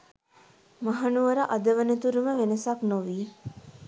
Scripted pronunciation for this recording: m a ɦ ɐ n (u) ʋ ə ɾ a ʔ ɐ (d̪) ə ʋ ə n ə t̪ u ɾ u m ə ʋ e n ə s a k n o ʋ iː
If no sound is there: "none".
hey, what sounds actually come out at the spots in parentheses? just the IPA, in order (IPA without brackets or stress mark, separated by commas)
u, d̪